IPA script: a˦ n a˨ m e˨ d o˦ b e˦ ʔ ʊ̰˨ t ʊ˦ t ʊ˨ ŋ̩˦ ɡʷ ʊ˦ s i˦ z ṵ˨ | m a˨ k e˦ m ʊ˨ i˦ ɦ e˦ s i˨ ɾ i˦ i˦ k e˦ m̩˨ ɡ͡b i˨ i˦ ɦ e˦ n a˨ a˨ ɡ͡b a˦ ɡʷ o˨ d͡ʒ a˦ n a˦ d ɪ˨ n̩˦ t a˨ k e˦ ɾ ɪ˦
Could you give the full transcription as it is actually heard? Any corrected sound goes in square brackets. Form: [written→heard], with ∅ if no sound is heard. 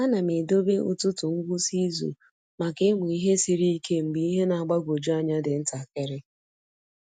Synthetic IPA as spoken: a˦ n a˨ m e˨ d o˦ b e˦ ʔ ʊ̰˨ t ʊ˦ t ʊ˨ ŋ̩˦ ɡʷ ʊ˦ s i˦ z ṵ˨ | m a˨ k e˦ m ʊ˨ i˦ ɦ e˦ s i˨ ɾ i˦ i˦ k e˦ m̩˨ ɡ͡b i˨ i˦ ɦ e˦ n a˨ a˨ ɡ͡b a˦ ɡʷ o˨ d͡ʒ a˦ [n→ɲ] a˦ d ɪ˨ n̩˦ t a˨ k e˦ ɾ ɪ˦